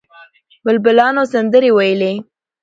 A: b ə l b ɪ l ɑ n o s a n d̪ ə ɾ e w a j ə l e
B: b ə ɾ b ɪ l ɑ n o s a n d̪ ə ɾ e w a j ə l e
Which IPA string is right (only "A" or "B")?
A